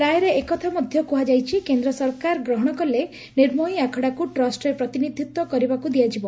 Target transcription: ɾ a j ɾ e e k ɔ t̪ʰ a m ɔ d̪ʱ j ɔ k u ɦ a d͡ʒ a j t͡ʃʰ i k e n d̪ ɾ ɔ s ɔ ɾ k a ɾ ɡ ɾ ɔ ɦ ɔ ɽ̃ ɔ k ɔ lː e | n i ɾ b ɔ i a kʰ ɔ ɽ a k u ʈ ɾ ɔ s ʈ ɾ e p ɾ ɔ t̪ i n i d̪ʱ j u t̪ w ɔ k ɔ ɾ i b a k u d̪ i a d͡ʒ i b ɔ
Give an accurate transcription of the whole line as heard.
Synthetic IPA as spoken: ɾ a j ɾ e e k ɔ t̪ʰ a m ɔ d̪ʱ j ɔ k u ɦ a d͡ʒ a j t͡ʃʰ i k e n d̪ ɾ ɔ s ɔ ɾ k a ɾ ɡ ɾ ɔ ɦ ɔ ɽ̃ ɔ k ɔ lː e | n i ɾ m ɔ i a kʰ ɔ ɽ a k u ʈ ɾ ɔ s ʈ ɾ e p ɾ ɔ t̪ i n i d̪ʱ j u t̪ w ɔ k ɔ ɾ i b a k u d̪ i a d͡ʒ i b ɔ